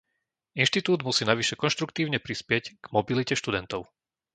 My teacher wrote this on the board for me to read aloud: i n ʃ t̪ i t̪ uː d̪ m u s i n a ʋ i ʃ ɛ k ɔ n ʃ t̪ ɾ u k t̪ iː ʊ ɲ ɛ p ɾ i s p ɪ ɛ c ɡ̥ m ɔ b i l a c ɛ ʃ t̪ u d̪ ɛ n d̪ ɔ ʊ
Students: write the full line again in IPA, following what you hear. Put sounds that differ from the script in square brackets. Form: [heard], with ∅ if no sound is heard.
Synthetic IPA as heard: i n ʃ t̪ i t̪ uː d̪ m u s [iː] n a ʋ i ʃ ɛ k ɔ n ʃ t̪ ɾ u k t̪ iː ʊ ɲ ɛ p ɾ i s p ɪ ɛ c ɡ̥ m ɔ b i l [i] c ɛ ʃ t̪ u d̪ ɛ n [t̪] ɔ ʊ